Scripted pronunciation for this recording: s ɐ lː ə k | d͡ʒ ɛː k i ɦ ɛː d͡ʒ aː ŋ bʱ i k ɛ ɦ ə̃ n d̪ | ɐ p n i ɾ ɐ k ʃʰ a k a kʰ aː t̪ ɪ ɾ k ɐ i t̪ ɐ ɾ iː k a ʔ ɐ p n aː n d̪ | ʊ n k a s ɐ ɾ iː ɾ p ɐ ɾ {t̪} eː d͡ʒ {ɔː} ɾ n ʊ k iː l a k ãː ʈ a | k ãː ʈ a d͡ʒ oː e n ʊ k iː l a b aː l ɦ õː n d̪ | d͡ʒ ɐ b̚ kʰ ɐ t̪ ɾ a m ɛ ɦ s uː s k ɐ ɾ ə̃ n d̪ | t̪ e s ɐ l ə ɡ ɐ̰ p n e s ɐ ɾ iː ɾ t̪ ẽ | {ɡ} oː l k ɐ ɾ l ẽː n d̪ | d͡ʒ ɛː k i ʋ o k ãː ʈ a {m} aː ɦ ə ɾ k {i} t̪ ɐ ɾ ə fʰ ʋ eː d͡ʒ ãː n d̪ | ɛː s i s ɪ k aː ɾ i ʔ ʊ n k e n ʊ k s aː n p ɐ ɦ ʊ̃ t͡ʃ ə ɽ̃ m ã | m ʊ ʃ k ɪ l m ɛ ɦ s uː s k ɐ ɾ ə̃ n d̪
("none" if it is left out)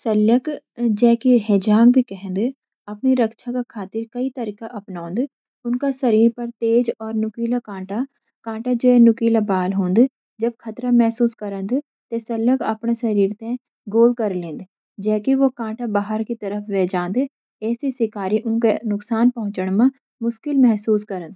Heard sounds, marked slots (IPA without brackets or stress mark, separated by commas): t̪, ɔː, ɡ, b, i